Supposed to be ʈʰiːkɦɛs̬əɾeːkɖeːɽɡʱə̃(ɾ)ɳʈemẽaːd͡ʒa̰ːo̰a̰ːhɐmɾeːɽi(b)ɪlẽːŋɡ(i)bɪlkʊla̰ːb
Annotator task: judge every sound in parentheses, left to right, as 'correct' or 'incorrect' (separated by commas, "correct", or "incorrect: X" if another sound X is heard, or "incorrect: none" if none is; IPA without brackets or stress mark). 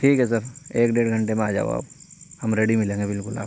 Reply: incorrect: none, incorrect: m, incorrect: e